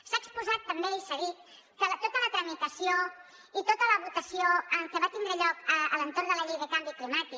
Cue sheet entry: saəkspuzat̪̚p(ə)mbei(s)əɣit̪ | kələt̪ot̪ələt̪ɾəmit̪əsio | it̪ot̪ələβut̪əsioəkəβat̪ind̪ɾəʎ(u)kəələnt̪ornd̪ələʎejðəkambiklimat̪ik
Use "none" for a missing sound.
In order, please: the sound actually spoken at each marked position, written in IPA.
ə, s, ɔ

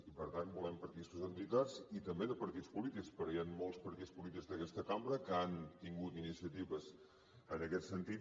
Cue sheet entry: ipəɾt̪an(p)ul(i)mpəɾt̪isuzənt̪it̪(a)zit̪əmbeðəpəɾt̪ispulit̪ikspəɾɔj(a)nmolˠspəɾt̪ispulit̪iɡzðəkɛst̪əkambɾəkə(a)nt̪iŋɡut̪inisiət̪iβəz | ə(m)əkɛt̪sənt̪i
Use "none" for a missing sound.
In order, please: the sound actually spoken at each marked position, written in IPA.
b, ɛ, a, a, a, n

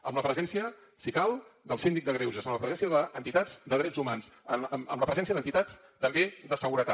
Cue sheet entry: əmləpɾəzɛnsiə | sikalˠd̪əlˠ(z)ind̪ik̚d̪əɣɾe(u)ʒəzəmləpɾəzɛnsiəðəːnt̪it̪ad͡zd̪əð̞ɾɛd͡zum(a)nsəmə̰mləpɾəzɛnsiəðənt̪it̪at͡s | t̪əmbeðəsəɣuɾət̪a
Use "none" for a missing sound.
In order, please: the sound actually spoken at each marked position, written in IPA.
s, w, a

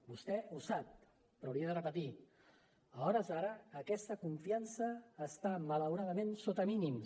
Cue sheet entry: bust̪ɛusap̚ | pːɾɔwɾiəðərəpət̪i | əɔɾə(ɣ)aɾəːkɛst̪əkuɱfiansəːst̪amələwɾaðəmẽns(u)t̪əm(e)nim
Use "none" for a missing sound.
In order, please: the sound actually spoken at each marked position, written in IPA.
z, o, i

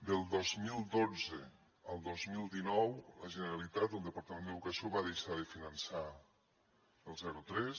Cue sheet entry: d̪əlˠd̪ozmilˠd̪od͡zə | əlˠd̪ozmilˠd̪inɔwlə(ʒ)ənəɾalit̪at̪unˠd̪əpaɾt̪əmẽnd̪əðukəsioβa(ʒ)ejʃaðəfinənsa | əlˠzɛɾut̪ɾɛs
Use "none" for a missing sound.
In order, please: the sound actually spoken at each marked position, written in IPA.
ʒ, ð

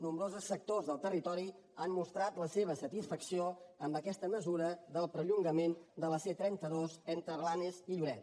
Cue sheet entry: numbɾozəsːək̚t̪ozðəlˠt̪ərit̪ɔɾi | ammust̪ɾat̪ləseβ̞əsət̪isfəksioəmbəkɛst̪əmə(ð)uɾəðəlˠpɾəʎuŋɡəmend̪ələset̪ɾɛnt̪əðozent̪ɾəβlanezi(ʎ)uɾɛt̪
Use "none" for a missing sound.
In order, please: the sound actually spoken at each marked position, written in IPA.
z, ʎ

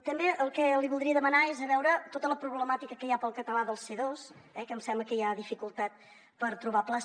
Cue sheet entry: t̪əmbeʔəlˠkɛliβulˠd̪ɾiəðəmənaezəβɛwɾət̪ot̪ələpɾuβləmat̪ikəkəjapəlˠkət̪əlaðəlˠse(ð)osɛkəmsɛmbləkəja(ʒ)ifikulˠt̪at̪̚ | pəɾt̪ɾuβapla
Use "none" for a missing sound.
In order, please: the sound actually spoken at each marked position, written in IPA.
ð, ð

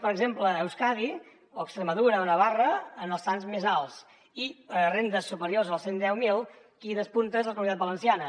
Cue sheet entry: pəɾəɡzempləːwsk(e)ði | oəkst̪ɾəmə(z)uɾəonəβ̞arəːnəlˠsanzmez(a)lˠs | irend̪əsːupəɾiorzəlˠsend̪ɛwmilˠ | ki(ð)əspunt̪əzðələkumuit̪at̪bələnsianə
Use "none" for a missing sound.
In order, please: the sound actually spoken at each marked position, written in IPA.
a, ð, a, ð

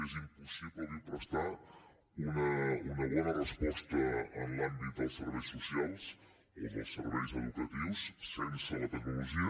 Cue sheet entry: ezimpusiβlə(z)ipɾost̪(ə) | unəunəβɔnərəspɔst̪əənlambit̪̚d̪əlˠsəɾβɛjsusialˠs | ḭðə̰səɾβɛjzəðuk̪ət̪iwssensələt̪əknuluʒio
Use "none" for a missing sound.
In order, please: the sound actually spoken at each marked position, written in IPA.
ð, a

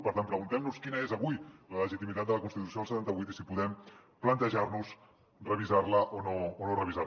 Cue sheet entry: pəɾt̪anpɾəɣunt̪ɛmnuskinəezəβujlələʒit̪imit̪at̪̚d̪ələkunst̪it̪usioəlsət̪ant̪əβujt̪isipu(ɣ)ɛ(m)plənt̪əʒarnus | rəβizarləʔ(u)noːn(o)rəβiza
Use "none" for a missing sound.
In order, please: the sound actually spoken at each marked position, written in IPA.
ð, m, o, o

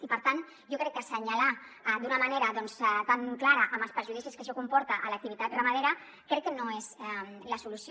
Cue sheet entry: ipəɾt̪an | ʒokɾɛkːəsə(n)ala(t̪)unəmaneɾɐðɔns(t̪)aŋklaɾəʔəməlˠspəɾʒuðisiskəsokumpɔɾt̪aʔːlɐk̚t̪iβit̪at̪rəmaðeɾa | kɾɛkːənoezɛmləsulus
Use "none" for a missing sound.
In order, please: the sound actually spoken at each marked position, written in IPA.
ɲ, d̪, t̪

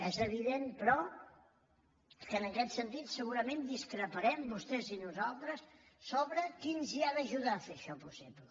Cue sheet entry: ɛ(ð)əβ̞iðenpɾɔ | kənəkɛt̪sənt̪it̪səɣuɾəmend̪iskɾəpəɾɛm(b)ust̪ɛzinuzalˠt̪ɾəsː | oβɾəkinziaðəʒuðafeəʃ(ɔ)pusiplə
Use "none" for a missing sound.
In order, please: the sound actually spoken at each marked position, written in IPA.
z, b, ɔ

